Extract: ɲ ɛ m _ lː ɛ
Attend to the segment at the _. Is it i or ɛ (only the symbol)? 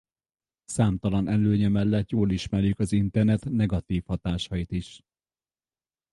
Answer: ɛ